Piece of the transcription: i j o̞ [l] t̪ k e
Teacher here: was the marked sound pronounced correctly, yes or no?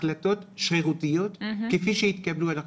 no